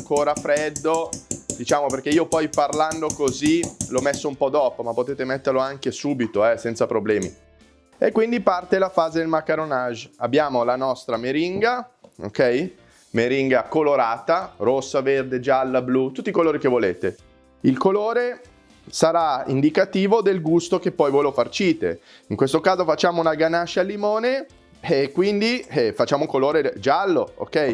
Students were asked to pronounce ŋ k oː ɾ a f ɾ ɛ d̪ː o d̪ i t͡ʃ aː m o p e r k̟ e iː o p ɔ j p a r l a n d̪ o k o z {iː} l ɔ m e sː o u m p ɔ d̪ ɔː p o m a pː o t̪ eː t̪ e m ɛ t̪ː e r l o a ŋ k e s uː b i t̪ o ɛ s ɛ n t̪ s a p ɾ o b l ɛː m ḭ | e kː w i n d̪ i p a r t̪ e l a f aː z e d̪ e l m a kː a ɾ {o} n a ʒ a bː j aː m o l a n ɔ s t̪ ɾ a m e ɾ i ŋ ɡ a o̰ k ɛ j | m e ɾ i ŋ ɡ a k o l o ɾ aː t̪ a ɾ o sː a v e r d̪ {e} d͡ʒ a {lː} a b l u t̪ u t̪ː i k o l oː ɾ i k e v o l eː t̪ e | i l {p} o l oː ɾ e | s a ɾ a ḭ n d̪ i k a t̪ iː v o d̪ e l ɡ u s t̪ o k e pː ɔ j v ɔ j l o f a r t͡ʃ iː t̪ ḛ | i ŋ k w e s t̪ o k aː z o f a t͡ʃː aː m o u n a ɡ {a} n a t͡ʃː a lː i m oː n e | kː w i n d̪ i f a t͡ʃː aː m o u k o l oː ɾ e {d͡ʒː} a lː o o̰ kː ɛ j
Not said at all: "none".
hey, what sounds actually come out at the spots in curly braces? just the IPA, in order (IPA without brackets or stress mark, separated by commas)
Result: i, o, e, lː, k, a, d͡ʒ